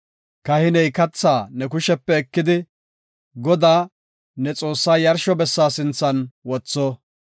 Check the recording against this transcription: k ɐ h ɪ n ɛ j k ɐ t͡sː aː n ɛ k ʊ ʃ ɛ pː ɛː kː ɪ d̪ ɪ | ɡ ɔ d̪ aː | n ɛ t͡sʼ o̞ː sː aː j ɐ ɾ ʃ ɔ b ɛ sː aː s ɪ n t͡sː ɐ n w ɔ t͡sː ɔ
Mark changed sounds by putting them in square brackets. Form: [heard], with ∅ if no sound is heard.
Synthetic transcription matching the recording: k ɐ h ɪ n ɛ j k ɐ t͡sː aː n ɛ k ʊ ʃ ɛ pː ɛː kː ɪ d̪ ɪ | ɡ ɔ d̪ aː | n ɛ t͡sʼ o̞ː sː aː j ɐ ɾ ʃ ɔ b ɛ sː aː s ɪ n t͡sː ɐ n w ɔ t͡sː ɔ